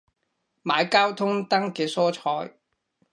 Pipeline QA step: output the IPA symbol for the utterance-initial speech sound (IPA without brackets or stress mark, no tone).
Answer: m